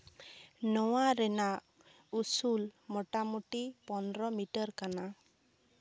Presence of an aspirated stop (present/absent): absent